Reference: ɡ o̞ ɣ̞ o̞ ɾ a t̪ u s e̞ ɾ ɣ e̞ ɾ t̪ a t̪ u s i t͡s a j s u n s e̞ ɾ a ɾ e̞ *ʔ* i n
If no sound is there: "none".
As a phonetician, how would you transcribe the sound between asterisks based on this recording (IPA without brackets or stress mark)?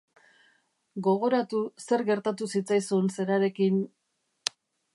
k